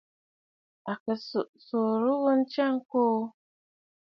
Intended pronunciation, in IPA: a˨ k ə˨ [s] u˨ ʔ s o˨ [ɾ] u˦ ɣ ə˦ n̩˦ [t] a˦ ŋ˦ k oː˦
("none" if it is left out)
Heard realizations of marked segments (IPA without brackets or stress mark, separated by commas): s, ɾ, t͡ʃ